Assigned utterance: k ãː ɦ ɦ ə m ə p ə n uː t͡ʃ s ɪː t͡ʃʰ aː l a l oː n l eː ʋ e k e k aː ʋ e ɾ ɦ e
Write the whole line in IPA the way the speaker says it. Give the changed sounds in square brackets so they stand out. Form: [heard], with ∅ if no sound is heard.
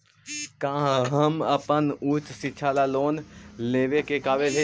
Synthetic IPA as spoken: k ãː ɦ ɦ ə m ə p ə n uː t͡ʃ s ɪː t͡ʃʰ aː l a l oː n l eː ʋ e k e k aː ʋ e [l] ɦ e